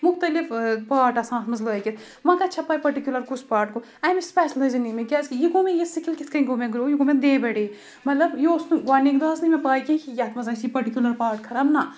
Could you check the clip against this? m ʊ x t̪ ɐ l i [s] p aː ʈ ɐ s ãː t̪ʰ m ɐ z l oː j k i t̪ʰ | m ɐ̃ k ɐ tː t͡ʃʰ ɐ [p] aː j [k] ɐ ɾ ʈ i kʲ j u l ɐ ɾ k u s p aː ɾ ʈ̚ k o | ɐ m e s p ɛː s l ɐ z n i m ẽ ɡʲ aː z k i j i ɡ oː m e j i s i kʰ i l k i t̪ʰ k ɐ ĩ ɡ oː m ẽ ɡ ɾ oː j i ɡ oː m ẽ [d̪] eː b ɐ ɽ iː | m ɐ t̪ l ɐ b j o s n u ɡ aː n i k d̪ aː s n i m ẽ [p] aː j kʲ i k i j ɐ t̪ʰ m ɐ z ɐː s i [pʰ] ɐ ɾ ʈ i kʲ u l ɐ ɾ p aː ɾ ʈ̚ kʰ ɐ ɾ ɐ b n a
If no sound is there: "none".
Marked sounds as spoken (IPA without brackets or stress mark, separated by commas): f, p, p, d̪, p, p